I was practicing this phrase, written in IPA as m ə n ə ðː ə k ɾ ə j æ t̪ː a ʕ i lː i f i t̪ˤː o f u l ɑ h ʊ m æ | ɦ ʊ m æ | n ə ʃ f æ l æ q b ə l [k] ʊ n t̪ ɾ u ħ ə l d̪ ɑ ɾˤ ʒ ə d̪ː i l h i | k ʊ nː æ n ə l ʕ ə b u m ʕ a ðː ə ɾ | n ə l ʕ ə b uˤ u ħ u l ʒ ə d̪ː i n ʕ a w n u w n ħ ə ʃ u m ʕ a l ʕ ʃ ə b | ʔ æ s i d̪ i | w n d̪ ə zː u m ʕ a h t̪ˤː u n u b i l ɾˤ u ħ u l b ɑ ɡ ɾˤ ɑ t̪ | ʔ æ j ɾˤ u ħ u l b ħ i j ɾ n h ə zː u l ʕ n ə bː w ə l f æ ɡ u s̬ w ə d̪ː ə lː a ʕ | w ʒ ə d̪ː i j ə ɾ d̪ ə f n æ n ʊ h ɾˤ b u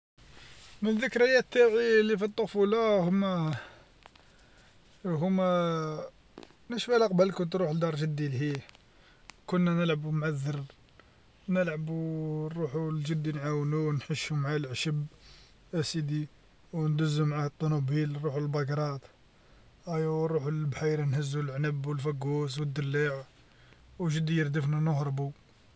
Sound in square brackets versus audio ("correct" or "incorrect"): correct